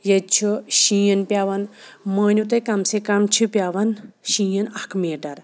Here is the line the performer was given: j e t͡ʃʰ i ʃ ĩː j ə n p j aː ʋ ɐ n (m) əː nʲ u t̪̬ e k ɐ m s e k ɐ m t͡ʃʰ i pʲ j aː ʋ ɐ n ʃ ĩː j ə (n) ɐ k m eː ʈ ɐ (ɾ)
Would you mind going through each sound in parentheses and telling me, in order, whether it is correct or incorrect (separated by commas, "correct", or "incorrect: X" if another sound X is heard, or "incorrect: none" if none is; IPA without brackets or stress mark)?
correct, correct, correct